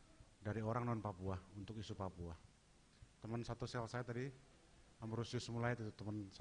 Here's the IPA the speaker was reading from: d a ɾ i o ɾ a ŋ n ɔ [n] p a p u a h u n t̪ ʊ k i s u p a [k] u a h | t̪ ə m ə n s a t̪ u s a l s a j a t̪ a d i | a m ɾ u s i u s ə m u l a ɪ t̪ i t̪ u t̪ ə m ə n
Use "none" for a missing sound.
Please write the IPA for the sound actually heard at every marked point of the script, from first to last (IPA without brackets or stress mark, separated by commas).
n, p